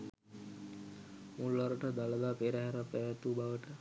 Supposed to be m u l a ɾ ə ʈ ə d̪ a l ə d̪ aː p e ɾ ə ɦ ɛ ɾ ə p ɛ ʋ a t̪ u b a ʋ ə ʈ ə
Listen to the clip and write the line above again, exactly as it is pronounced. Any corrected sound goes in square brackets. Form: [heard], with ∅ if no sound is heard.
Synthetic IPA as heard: m u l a ɾ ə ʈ ə d̪ a l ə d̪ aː p e ɾ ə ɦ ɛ ɾ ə p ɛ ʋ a t̪ u b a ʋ ə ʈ ə